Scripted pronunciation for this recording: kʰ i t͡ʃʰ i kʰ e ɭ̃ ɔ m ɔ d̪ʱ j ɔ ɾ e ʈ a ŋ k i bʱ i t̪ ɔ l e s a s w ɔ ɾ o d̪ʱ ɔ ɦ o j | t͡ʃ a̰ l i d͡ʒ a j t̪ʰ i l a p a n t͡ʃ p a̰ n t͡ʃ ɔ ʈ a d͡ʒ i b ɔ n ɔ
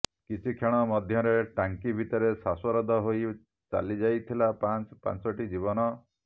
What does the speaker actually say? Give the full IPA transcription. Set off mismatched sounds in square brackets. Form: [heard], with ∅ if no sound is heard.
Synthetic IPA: [k] i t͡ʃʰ i kʰ e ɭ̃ ɔ m ɔ d̪ʱ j ɔ ɾ e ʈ a ŋ k i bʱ i t̪ ɔ [ɾ] e s a s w ɔ ɾ [ɔ] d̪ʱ ɔ ɦ o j | t͡ʃ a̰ l i d͡ʒ a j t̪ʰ i l a p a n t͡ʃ p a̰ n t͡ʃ ɔ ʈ [i] d͡ʒ i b ɔ n ɔ